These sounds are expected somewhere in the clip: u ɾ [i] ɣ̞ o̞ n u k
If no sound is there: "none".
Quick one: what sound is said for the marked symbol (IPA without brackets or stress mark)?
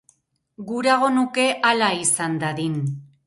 a